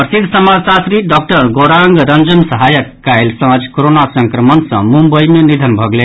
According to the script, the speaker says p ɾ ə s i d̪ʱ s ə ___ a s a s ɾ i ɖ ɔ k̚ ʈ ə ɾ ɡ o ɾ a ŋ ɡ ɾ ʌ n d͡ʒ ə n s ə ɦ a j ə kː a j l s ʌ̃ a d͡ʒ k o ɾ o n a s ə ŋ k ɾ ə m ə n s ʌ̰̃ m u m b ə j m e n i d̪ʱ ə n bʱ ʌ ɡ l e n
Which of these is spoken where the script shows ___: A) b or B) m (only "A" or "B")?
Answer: B